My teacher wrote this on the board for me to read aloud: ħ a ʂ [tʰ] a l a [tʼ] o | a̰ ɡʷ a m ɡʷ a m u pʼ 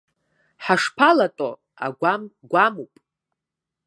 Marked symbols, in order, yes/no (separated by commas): no, yes